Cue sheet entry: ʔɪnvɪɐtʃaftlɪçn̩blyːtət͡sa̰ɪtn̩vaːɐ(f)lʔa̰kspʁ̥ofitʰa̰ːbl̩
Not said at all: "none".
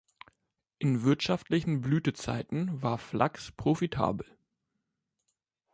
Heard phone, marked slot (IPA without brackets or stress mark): f